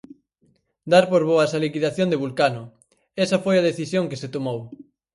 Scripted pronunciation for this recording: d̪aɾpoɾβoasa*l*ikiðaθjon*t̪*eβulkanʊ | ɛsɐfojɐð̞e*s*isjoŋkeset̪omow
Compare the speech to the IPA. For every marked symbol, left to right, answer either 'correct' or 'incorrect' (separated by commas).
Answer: correct, incorrect, incorrect